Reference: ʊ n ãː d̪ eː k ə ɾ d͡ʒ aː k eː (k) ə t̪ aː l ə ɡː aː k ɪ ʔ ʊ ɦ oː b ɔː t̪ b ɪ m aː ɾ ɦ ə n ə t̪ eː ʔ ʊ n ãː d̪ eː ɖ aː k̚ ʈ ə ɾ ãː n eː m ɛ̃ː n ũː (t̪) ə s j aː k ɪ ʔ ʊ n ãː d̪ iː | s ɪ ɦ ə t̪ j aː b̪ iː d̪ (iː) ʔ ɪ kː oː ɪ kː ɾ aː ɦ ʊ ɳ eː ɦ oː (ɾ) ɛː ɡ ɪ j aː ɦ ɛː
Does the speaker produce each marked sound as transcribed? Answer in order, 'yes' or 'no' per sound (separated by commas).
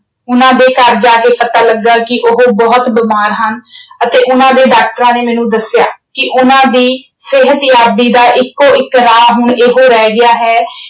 no, no, no, yes